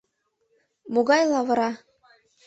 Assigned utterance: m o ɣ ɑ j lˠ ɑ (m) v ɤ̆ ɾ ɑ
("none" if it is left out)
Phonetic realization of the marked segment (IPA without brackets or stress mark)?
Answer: none